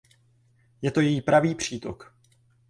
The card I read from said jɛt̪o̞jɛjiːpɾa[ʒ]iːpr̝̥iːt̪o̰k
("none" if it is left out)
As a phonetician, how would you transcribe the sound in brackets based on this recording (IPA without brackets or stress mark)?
v